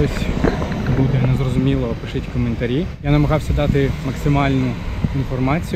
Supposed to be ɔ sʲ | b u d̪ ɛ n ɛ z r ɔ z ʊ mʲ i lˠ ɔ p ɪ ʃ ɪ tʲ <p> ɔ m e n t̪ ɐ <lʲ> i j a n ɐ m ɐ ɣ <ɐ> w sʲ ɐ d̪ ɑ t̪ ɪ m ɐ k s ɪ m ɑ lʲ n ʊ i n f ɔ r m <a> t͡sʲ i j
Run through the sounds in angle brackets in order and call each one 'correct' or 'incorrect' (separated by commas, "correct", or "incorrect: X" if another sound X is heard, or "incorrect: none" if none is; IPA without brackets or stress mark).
incorrect: k, incorrect: ɾʲ, incorrect: ɑ, incorrect: ɑ